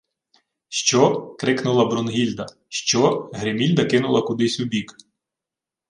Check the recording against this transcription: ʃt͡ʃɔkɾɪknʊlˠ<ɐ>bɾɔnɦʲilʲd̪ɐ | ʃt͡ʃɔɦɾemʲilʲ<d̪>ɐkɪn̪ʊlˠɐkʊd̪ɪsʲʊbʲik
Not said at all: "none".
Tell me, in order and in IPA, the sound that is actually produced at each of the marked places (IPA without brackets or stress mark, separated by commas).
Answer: ɐ, d̪